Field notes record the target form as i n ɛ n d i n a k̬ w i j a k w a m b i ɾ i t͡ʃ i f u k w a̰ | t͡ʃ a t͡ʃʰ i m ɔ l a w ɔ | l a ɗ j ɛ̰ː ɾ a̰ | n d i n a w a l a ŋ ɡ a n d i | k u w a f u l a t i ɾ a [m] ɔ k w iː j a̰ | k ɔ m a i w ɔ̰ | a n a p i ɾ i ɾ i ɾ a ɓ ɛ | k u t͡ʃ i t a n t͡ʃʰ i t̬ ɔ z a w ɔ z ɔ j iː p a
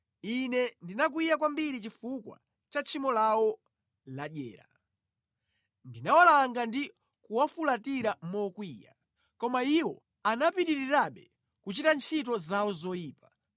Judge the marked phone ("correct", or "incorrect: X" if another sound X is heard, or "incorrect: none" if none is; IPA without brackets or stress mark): correct